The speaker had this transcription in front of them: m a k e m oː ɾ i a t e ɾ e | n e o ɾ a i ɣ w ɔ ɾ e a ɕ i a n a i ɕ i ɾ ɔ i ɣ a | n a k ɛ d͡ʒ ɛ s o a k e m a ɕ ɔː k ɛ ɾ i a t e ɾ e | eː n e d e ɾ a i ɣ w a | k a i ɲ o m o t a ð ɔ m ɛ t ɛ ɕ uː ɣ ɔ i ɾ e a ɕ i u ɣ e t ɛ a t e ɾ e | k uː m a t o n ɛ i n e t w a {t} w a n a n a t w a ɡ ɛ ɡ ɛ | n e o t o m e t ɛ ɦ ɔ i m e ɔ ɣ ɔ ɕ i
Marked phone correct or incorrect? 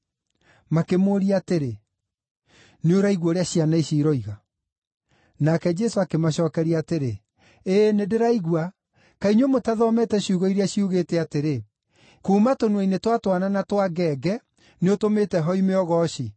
correct